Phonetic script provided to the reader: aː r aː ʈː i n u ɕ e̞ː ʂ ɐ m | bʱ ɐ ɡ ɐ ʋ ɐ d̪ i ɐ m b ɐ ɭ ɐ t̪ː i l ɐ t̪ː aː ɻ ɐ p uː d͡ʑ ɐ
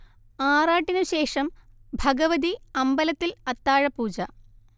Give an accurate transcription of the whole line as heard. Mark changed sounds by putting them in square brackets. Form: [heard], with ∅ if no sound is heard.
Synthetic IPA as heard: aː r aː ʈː i n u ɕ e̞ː ʂ ɐ m | bʱ ɐ ɡ ɐ ʋ ɐ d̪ i ɐ m b ɐ [l] ɐ t̪ː i l ɐ t̪ː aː ɻ ɐ p uː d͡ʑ ɐ